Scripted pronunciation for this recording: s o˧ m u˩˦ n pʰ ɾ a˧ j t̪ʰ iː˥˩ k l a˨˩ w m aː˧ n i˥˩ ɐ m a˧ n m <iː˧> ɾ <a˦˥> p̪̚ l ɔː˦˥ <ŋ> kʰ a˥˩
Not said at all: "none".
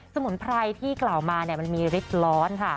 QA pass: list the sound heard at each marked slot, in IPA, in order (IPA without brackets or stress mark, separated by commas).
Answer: iː˧, i˦˥, n